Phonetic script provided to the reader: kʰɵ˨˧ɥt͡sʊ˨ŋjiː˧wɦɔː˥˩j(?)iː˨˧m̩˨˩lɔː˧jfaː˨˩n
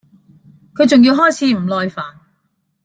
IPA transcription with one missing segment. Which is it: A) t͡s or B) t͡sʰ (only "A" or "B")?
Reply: B